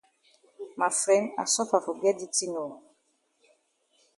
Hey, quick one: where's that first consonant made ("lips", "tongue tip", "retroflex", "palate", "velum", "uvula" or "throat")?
lips